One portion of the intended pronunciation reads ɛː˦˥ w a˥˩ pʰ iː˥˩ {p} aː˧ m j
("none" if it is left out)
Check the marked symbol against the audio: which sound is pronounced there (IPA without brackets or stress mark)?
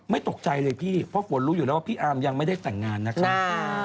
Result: ʔ